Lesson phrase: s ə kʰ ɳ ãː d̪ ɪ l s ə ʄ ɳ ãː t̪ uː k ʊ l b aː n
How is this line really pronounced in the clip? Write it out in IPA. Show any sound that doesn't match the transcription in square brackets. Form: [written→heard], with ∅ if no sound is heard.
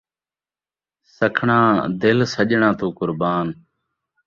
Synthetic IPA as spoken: s ə kʰ ɳ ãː d̪ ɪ l s ə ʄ ɳ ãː t̪ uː k ʊ [l→ɾ] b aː n